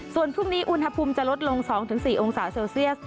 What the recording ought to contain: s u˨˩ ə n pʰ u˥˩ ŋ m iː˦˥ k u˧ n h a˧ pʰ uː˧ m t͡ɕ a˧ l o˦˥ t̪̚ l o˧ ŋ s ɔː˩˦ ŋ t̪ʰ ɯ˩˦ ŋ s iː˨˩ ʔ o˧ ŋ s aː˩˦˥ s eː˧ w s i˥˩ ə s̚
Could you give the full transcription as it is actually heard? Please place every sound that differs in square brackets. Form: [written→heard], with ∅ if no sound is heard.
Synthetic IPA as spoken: s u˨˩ ə n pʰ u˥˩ ŋ [m→n] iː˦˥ [k→ʔ] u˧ n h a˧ pʰ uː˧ m t͡ɕ [a˧→a˨˩] l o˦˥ t̪̚ l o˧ ŋ s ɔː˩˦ ŋ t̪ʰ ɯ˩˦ ŋ s iː˨˩ ʔ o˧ ŋ s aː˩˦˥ s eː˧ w s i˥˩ ə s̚